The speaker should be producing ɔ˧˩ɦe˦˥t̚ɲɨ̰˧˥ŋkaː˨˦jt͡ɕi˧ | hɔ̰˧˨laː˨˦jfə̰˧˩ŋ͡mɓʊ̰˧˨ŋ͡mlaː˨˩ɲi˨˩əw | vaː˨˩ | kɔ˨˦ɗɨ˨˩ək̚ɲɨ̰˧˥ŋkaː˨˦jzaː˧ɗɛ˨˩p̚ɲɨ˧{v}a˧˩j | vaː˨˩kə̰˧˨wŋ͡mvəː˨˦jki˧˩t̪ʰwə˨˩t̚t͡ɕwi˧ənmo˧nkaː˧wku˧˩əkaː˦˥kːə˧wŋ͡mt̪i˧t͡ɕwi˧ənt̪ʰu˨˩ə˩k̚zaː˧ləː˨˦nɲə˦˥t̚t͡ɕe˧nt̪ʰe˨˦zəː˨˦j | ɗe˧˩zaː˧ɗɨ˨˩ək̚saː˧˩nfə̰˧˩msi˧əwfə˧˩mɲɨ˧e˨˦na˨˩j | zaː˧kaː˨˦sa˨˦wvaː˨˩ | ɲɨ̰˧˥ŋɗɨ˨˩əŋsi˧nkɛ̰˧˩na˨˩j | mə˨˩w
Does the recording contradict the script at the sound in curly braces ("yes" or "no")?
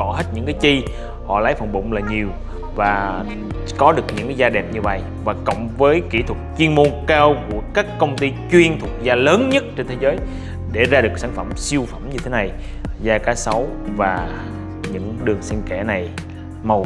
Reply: no